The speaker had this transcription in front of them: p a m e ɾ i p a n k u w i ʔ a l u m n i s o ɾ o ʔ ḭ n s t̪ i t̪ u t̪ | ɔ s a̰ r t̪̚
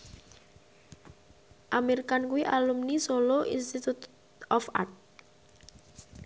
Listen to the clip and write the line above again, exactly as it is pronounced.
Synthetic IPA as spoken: ʔ a m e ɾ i k a n k u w i ʔ a l u m n i s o l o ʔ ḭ n s t̪ i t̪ u t̪ | ɔ f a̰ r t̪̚